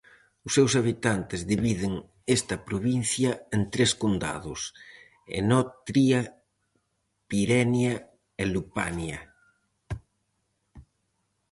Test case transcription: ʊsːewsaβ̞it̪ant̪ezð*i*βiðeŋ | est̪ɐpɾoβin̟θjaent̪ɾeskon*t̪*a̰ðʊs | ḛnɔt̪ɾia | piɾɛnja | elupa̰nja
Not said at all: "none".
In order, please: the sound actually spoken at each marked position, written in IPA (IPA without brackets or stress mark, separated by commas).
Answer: i, d̪